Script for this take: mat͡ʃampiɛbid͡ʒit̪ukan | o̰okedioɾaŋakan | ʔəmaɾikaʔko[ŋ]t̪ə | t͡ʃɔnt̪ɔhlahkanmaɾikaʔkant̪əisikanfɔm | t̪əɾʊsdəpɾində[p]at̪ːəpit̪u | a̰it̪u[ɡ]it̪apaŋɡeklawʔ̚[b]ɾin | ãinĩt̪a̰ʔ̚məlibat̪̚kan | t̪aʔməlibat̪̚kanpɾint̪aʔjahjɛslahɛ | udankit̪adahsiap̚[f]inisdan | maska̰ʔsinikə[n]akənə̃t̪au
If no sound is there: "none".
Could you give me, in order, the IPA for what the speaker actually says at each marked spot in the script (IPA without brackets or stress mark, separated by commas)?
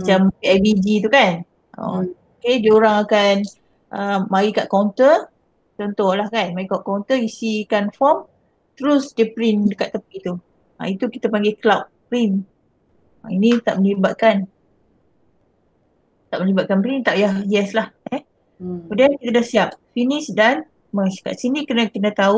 n, k, k, p, f, n